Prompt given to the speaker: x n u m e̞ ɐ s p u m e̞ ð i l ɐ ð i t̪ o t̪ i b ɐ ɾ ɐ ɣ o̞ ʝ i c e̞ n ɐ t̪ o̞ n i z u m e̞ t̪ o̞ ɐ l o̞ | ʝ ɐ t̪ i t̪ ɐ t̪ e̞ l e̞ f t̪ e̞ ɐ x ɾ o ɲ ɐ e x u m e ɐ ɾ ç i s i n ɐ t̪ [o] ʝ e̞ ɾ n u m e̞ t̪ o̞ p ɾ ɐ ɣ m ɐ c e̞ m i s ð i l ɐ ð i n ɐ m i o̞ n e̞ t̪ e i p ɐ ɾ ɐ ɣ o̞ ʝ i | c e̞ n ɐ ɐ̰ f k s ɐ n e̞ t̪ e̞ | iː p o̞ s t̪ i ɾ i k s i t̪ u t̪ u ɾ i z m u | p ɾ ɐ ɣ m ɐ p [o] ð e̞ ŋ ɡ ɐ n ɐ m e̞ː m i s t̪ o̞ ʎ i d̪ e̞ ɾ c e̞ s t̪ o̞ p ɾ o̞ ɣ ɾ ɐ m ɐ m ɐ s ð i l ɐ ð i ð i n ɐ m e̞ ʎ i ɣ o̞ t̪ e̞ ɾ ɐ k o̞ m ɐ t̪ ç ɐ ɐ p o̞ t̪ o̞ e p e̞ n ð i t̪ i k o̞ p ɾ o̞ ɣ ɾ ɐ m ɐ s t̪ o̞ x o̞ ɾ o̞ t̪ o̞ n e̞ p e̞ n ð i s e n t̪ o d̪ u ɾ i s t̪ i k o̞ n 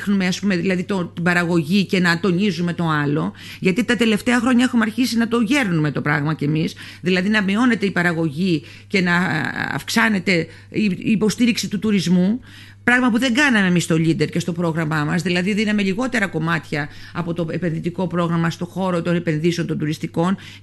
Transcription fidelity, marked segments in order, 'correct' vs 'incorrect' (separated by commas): correct, incorrect